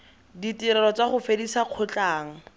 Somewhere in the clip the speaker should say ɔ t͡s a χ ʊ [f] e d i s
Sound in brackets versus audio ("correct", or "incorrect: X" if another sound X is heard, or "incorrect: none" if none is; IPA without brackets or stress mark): correct